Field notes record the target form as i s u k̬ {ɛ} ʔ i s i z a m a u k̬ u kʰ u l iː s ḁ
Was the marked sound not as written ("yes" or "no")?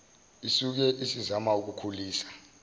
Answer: no